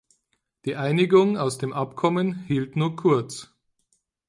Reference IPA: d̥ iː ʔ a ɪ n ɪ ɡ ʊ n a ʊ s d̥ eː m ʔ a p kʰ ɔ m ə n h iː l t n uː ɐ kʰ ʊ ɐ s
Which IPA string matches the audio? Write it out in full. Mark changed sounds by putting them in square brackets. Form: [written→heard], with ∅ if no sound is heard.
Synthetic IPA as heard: d̥ iː ʔ a ɪ n ɪ ɡ ʊ [n→ŋ] a ʊ s d̥ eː m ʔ a p kʰ ɔ m ə n h iː l t n uː ɐ kʰ ʊ ɐ [s→t͡s]